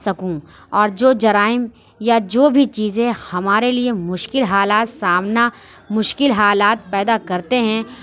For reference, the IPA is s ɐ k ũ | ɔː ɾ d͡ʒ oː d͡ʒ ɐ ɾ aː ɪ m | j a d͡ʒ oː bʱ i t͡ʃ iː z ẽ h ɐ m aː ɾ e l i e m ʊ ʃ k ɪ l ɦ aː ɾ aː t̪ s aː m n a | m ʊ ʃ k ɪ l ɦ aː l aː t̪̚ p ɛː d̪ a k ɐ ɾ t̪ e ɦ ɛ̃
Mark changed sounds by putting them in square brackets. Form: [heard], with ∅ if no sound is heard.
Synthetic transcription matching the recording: s ɐ k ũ | ɔː ɾ d͡ʒ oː d͡ʒ ɐ ɾ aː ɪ m | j a d͡ʒ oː bʱ i t͡ʃ iː z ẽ h ɐ m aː ɾ e l i e m ʊ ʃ k ɪ l ɦ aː [l] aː t̪ s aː m n a | m ʊ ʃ k ɪ l ɦ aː l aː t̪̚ p ɛː d̪ a k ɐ ɾ t̪ e ɦ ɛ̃